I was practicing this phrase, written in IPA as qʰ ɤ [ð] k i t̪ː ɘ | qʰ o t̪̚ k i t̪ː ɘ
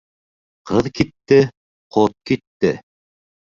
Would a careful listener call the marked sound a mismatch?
no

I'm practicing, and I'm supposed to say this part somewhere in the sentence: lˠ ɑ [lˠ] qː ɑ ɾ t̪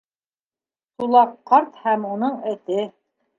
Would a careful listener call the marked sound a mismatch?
yes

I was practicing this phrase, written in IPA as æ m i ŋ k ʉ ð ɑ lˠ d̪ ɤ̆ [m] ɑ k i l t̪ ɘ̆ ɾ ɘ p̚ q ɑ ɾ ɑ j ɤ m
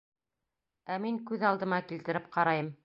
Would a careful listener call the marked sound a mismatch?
no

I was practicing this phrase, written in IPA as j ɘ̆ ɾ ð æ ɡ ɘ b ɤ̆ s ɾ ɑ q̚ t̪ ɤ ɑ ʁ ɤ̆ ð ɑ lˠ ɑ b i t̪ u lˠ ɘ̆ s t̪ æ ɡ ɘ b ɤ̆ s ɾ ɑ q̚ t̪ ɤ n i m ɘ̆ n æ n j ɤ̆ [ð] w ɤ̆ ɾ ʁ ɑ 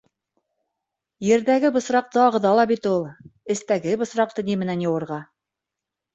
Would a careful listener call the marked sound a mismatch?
yes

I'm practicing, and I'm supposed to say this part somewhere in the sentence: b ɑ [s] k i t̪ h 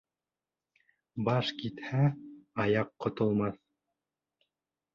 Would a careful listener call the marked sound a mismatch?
yes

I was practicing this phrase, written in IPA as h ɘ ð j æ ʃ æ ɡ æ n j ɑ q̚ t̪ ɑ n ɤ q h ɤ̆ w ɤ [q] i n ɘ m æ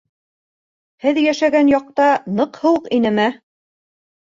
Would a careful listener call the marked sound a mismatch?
no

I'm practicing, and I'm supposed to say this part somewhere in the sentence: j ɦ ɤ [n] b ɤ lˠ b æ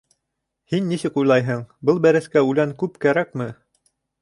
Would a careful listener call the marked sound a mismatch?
yes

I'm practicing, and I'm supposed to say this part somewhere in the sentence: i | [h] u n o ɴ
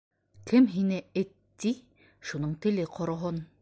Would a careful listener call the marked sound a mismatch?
yes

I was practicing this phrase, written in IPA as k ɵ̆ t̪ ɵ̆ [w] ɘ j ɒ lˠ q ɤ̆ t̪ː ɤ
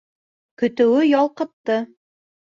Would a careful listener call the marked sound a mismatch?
no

